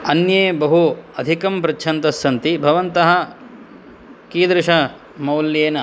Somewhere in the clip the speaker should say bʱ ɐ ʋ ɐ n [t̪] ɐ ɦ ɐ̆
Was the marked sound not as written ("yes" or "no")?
no